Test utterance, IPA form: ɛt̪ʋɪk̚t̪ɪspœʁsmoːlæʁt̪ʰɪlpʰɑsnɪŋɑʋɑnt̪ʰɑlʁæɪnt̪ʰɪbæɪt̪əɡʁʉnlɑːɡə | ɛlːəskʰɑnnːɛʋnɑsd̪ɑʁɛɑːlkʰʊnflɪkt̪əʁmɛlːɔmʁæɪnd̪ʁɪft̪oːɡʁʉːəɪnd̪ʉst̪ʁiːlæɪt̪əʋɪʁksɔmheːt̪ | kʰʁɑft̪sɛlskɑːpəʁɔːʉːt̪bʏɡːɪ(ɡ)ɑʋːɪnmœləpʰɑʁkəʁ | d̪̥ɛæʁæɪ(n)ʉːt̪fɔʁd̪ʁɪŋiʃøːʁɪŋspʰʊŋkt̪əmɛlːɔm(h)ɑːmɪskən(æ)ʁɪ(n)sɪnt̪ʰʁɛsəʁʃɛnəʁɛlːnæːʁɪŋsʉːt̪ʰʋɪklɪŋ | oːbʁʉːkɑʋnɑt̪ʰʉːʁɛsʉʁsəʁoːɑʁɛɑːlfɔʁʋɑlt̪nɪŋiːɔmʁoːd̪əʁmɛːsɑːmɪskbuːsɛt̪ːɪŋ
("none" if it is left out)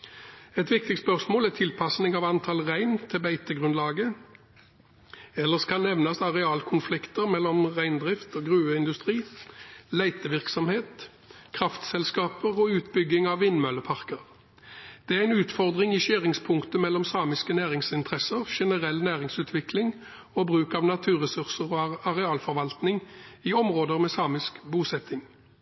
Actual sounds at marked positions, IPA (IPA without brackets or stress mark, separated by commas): ŋ, n, s, æː, ŋ